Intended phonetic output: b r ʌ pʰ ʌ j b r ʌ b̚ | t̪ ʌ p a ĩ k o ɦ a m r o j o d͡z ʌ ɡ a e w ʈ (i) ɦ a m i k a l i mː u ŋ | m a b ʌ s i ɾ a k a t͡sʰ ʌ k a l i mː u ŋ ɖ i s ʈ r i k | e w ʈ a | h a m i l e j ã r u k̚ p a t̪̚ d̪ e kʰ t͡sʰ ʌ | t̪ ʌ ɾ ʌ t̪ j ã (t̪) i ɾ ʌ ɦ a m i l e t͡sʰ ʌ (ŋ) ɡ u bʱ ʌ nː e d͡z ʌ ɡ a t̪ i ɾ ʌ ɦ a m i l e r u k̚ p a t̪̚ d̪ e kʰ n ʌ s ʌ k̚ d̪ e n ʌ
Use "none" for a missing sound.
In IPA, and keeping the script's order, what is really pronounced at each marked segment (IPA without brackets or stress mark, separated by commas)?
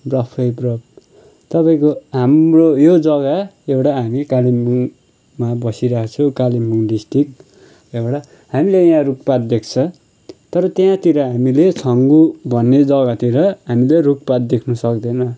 a, t̪, ŋ